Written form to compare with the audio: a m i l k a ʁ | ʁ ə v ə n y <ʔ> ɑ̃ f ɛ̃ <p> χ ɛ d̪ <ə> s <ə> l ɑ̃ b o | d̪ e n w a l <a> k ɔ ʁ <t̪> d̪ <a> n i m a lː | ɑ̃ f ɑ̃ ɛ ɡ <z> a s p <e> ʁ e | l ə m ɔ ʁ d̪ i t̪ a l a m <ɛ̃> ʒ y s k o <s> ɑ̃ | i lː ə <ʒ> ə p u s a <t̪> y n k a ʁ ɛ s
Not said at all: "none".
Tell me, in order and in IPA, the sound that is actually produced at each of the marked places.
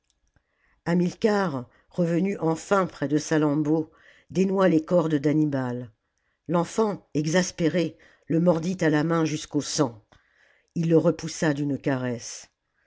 ʔ, p, ə, a, e, d̪, a, z, e, ɛ̃, s, ʁ, d̪

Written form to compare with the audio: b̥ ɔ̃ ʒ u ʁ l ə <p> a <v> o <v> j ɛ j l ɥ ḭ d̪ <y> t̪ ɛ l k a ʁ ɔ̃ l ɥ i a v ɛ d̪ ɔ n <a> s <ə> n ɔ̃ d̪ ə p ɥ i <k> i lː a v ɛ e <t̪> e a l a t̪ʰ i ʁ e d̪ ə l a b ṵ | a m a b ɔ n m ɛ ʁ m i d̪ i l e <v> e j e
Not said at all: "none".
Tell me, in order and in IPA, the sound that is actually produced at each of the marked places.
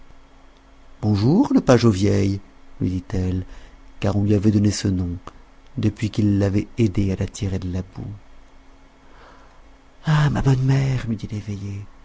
p, ʒ, v, i, e, ə, k, d̪, v

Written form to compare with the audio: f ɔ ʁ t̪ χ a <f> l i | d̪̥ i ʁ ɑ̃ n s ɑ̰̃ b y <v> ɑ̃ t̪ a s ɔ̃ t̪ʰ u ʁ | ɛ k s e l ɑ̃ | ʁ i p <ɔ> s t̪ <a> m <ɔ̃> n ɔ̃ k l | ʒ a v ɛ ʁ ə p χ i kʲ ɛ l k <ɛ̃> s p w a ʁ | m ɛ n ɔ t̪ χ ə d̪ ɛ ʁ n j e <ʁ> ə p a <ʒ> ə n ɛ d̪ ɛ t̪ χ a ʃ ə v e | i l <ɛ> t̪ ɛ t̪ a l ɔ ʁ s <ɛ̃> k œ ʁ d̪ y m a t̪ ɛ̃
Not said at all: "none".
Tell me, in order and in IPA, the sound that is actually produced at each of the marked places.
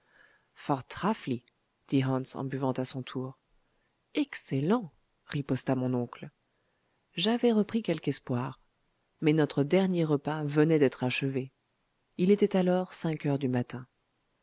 f, v, ɔ, a, ɔ̃, ɛ, ʁ, v, e, ɛ̃

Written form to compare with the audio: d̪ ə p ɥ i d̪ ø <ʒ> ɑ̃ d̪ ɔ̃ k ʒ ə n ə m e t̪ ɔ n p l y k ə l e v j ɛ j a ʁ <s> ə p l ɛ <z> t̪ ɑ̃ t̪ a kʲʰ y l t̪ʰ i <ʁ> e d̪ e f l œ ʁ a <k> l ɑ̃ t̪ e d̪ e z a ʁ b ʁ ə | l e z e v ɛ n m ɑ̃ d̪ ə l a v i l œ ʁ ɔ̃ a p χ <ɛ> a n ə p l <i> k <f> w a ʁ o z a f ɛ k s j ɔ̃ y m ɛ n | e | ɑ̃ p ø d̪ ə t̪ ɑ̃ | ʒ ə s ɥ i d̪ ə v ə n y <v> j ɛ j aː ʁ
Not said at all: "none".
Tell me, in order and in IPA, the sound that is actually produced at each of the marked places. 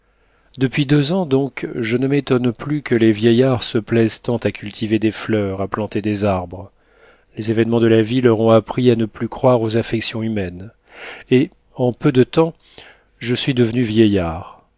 z, s, z, v, p, i, y, χ, v

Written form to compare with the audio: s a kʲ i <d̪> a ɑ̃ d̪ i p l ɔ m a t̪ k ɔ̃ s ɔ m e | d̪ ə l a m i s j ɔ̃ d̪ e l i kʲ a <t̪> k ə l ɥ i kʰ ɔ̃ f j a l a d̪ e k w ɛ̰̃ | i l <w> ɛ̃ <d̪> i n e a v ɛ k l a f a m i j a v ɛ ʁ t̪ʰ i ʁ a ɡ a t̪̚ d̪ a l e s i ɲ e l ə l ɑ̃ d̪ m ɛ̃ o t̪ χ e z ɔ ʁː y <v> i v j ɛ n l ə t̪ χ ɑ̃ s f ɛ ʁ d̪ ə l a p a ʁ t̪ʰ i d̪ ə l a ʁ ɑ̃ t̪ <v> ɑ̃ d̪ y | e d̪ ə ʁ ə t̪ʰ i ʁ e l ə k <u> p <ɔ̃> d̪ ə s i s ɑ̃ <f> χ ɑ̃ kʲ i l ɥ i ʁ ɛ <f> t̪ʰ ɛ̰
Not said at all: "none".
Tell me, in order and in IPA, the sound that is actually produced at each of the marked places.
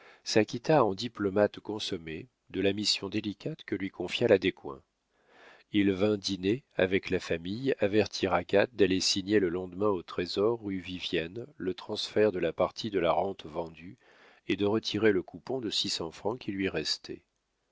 t̪, t̪, v, d̪, v, v, u, ɔ̃, f, s

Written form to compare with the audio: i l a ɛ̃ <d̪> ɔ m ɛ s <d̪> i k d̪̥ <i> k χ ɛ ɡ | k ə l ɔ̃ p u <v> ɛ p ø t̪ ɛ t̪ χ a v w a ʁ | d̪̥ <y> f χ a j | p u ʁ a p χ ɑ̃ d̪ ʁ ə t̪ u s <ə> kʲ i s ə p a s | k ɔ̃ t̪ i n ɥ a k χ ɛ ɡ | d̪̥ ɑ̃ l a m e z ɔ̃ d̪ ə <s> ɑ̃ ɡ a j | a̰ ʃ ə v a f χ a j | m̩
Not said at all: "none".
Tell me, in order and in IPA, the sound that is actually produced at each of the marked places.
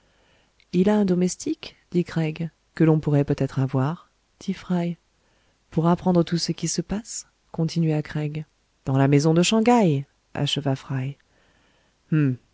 d̪, t̪, i, ʁ, i, ə, ʃ

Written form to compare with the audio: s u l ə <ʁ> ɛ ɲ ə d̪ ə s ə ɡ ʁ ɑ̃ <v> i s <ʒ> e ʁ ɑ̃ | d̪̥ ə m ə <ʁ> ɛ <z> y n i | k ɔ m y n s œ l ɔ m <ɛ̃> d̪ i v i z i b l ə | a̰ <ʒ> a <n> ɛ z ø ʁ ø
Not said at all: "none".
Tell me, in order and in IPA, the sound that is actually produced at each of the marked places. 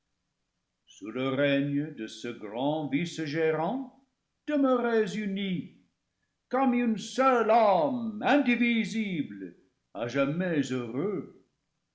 ʁ, v, ʒ, ʁ, z, ɛ̃, ʒ, m

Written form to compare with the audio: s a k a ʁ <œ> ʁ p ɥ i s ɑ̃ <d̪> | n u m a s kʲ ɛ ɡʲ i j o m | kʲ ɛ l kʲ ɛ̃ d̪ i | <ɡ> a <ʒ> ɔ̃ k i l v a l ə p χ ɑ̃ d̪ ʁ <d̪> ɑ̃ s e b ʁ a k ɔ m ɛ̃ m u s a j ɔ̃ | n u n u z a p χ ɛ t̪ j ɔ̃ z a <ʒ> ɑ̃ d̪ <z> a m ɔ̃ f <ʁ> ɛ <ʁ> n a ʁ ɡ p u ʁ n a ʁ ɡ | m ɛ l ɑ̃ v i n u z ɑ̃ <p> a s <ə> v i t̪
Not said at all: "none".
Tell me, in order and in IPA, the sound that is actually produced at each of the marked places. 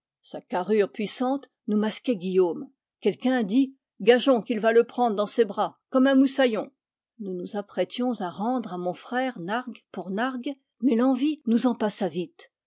y, t̪, ɡ, ʒ, d̪, ʁ, ʁ, χ, ʁ, p, a

